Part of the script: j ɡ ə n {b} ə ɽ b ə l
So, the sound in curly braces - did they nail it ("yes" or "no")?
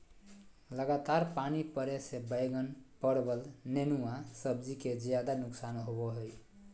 no